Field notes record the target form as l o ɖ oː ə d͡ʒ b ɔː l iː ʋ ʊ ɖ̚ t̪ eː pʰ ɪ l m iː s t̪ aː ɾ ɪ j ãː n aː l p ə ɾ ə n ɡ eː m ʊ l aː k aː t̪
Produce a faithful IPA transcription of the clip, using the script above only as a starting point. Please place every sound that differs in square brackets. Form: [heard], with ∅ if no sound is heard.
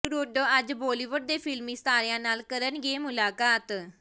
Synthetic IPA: [ɾ] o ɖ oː ə d͡ʒ b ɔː l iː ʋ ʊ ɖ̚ [d̪] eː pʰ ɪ l m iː s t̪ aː ɾ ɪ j ãː n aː l [k] ə ɾ ə n ɡ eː m ʊ l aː k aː t̪